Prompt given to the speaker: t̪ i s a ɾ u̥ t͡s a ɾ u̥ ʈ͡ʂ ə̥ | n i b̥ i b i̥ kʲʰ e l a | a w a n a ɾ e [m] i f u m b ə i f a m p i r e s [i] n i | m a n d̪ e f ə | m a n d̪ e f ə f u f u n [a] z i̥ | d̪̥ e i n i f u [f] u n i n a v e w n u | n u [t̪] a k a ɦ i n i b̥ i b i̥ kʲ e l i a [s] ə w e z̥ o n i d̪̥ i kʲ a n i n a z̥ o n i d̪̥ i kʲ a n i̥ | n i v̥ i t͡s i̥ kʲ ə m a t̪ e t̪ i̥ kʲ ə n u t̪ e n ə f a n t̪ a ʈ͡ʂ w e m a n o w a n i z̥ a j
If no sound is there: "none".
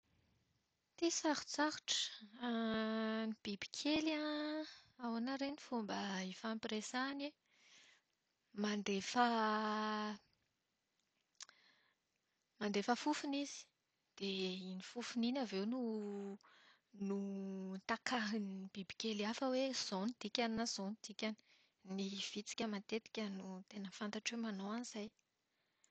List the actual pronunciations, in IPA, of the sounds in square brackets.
n, a, i, f, t̪, f

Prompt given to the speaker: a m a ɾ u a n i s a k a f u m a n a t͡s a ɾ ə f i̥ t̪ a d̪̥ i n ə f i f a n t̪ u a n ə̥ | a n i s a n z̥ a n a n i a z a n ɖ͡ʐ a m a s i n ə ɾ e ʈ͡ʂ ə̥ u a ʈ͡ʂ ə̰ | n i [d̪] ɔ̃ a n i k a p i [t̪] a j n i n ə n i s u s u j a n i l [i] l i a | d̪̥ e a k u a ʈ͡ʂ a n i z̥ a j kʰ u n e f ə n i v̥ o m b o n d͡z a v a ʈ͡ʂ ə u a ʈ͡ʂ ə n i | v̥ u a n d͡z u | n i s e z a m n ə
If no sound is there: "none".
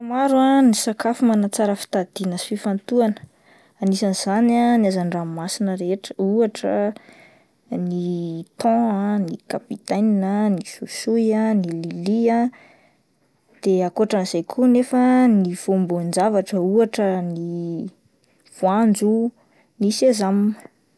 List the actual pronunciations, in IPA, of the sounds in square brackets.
t̪, t̪, i

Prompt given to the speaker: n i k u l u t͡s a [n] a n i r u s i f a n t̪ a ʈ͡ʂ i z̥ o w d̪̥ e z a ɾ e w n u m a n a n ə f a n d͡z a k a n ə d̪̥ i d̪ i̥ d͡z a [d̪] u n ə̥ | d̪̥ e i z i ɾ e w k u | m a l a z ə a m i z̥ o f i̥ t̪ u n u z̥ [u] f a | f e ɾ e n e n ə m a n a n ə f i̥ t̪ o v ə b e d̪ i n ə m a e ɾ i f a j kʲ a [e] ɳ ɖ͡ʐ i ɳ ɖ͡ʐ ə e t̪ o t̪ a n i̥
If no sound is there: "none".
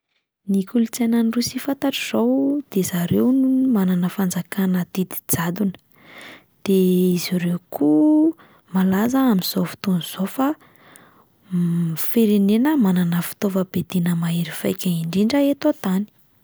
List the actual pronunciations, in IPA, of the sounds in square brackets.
n, d̪, o, i

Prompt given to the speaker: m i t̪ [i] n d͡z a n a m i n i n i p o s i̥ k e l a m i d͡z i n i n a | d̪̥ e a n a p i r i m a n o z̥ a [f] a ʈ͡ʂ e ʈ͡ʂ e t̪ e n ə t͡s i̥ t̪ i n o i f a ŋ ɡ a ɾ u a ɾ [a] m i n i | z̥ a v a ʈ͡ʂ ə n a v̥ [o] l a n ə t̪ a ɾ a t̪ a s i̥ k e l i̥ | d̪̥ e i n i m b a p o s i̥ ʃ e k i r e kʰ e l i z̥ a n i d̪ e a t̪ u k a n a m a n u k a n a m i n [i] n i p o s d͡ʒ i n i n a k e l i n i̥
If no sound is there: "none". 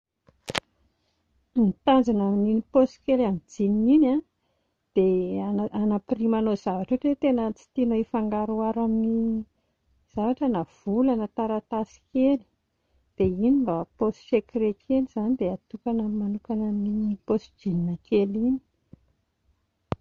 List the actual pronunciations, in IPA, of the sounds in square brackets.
a, v, a, u, i

